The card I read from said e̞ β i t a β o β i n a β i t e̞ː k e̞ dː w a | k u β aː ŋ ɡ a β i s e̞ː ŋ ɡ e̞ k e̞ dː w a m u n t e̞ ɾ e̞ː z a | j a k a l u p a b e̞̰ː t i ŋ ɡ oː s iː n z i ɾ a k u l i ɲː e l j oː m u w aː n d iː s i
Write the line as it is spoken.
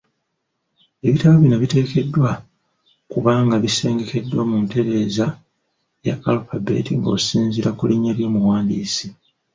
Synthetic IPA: e̞ β i t a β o β i n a β i t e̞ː k e̞ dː w a | k u β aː ŋ ɡ a β i s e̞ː ŋ ɡ e̞ k e̞ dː w a m u n t e̞ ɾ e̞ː z a | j a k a l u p a b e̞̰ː t i ŋ ɡ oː s iː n z i ɾ a k u l i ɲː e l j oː m u w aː n d iː s i